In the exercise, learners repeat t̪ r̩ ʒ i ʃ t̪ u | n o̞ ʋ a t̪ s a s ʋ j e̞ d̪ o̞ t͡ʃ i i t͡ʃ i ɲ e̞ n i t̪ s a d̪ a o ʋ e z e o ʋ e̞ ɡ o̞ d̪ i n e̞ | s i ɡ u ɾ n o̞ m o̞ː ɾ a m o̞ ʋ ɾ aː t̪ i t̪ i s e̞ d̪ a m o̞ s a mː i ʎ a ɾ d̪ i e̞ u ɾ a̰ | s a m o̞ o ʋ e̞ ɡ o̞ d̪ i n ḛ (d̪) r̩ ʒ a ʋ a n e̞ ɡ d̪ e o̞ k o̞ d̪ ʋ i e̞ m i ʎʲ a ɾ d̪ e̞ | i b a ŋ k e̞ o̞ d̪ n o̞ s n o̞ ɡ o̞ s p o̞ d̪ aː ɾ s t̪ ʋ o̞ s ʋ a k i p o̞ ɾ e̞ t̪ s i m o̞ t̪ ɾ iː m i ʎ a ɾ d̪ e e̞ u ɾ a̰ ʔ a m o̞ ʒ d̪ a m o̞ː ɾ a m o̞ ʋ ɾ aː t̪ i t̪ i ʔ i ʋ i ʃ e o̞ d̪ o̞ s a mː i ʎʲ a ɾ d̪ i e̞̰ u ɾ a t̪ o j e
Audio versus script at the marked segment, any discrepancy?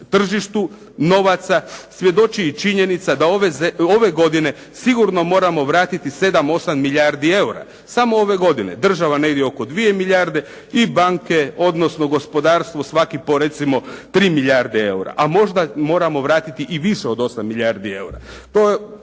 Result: no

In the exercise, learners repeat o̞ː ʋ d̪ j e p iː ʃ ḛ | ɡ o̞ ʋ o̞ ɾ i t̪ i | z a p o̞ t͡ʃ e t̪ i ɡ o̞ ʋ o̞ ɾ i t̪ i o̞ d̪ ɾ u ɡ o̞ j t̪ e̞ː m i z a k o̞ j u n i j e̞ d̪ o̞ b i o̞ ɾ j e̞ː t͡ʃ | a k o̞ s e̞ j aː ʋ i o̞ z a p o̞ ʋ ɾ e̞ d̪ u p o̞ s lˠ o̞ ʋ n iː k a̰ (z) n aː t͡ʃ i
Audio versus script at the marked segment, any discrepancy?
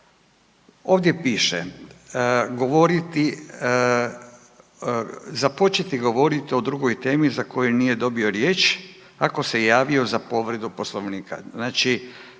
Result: no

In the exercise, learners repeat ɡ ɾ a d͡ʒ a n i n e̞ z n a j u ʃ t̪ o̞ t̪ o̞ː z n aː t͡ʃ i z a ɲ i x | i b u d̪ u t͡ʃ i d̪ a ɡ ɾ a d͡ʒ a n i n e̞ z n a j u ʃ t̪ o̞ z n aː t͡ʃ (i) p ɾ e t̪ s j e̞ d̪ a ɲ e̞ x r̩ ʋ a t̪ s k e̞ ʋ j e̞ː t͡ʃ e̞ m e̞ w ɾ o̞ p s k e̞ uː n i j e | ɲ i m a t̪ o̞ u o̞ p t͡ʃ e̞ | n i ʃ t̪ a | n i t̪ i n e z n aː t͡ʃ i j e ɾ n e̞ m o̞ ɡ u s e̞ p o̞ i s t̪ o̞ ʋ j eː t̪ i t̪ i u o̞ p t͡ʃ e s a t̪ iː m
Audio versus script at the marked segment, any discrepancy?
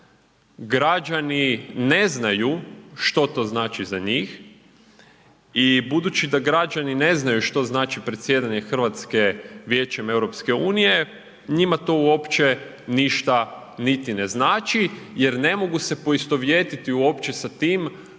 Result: no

